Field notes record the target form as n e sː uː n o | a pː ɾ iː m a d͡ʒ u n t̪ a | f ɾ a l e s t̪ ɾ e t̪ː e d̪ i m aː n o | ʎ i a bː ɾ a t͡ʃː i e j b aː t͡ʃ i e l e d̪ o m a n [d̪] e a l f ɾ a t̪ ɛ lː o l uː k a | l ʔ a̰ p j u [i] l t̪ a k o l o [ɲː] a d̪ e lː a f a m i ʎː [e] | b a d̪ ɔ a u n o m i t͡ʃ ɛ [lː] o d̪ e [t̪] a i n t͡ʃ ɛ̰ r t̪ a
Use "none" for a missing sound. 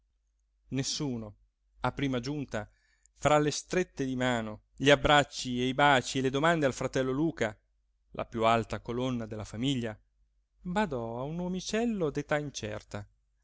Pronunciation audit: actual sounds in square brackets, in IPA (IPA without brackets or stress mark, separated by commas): d̪, a, nː, a, lː, t̪